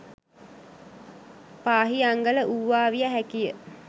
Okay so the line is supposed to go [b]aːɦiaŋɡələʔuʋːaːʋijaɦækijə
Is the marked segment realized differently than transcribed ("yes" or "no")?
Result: yes